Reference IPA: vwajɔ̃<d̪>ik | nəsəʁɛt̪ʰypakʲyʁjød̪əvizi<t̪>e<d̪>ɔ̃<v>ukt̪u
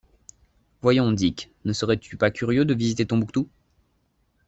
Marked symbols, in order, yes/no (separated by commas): yes, yes, no, no